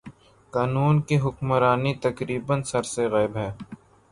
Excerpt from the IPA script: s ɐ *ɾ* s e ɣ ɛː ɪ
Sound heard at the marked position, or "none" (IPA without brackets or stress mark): ɾ